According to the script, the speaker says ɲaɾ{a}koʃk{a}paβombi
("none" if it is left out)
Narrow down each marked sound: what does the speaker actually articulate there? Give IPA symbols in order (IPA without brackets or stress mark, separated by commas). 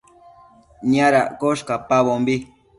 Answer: a, a